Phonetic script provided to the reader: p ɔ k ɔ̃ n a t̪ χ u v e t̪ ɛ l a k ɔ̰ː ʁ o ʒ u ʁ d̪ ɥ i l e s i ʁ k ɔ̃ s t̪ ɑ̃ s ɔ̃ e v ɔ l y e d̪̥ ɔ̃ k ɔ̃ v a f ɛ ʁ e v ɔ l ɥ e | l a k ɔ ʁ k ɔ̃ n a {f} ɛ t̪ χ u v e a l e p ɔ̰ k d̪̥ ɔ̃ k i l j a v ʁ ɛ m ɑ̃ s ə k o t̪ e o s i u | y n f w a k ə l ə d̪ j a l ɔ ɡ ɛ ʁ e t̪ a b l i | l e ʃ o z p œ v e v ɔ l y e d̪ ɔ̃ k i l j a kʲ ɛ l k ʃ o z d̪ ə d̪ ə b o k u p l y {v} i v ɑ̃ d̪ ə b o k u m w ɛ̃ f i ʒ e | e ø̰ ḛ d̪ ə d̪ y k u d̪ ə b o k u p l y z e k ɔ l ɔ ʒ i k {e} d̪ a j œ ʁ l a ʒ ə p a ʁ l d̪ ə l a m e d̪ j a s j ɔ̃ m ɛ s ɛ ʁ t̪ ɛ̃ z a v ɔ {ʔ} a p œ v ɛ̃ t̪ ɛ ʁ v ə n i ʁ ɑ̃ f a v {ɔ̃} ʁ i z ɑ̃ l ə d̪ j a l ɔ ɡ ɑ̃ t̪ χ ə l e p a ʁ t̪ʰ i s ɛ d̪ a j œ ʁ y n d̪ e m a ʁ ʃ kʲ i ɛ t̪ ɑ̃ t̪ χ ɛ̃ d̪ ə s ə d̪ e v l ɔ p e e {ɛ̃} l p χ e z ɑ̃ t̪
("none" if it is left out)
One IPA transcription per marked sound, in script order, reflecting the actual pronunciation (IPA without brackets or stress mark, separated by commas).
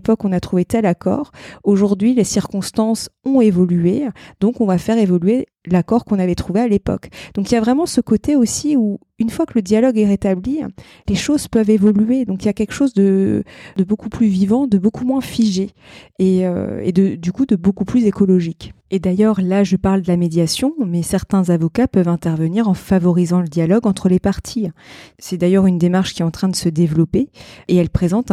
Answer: v, v, e, k, ɔ, ɛ